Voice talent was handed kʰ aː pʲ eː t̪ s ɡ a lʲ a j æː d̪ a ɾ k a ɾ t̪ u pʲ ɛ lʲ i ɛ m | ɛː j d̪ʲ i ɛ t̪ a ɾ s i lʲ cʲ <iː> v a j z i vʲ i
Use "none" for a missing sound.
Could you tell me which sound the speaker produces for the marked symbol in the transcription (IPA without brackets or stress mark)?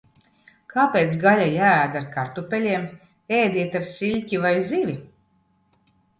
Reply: i